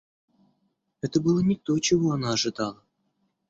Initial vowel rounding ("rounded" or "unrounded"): unrounded